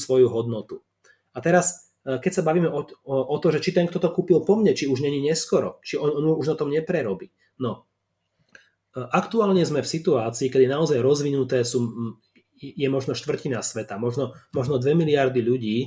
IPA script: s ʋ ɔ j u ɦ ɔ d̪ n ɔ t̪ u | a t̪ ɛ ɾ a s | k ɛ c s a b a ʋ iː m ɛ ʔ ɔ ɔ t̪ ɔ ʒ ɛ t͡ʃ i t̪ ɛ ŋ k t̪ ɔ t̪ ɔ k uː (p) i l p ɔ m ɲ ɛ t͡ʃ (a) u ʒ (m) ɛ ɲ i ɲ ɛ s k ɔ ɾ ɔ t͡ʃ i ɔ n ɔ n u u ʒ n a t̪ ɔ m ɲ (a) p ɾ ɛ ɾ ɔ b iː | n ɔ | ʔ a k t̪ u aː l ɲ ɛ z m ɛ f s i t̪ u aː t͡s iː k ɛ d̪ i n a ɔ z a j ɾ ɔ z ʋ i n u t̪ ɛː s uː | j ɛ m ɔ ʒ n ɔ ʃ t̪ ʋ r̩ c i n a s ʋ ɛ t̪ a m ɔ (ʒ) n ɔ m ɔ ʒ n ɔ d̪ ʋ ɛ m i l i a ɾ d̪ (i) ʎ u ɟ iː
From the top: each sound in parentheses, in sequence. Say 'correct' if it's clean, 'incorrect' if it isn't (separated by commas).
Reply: correct, incorrect, incorrect, incorrect, correct, correct